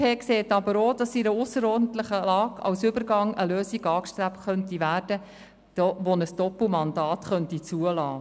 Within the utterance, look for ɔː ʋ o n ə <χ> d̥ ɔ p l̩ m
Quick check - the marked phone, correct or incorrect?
incorrect: s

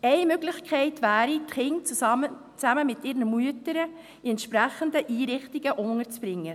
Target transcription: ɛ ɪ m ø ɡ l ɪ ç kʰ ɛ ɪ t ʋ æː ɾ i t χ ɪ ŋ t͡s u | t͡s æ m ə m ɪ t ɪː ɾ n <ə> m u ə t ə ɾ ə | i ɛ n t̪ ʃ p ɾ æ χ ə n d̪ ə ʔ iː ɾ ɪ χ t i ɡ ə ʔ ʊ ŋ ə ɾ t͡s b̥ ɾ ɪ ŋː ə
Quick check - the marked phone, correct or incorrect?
correct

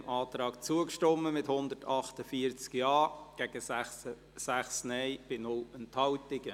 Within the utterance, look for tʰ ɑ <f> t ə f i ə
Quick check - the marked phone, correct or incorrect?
incorrect: χ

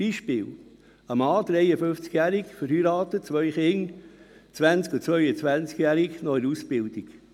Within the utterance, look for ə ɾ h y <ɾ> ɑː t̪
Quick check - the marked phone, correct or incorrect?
correct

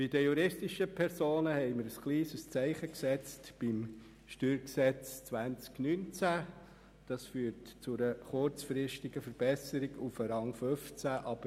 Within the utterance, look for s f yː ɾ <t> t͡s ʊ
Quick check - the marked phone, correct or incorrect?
correct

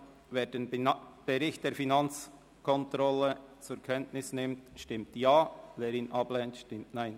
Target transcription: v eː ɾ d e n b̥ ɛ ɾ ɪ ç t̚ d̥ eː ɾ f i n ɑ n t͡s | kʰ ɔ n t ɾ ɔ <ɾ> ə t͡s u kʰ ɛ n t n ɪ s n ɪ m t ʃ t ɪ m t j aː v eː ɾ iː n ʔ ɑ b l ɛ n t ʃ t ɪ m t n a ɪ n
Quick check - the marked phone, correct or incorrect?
incorrect: l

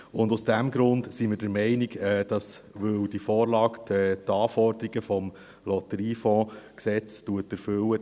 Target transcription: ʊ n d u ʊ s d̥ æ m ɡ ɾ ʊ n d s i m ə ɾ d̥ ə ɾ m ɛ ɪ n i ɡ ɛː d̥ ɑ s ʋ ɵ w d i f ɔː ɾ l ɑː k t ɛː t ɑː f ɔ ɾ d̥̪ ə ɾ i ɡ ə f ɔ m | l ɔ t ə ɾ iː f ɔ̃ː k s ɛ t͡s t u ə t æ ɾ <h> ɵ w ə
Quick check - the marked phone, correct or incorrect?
incorrect: f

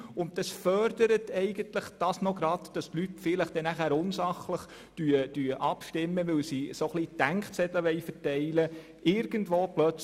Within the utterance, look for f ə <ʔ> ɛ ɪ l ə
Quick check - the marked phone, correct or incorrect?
incorrect: t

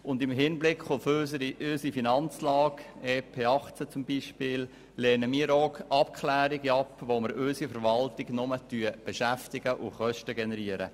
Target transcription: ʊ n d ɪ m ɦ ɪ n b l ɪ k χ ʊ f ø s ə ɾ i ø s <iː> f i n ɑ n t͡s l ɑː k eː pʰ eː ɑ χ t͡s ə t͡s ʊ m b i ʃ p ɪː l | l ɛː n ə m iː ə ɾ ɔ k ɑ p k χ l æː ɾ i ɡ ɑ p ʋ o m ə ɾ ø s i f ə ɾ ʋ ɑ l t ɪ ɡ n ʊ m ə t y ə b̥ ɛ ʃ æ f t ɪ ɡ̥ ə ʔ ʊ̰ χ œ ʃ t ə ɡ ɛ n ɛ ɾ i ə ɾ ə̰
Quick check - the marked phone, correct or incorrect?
incorrect: i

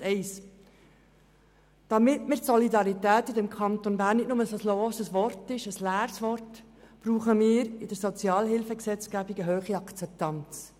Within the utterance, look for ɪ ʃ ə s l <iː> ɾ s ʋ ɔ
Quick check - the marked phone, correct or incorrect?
incorrect: æː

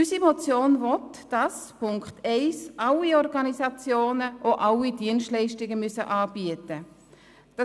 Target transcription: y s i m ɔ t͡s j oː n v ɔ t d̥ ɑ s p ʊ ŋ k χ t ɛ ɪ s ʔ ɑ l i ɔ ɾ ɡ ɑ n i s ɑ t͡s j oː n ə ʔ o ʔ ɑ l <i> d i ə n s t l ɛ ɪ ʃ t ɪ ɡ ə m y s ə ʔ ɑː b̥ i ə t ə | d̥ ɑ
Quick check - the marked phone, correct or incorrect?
correct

